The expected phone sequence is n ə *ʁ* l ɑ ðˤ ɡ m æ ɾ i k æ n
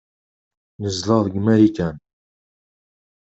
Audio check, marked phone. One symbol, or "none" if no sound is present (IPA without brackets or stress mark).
z